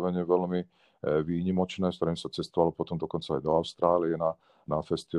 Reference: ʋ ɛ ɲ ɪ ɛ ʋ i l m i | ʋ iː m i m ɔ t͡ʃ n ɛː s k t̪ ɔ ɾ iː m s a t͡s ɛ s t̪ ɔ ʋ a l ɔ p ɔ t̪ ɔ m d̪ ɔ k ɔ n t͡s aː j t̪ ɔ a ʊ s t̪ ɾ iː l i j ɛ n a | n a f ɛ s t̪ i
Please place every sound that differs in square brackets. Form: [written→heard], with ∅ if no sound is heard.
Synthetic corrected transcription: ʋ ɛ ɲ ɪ ɛ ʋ [i→ɛ] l m i | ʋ iː [m→ɲ] i m ɔ t͡ʃ n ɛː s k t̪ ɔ ɾ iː m s a t͡s ɛ s t̪ ɔ ʋ a l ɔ p ɔ t̪ ɔ m d̪ ɔ k ɔ n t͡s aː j [t̪→d̪] ɔ a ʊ s t̪ ɾ [iː→aː] l i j ɛ n a | n a f ɛ s t̪ i